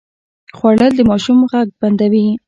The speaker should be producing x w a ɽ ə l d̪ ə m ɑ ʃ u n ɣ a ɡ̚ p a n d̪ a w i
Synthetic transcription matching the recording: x w a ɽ ə l d̪ ə m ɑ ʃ u m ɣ a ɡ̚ b a n d̪ a w i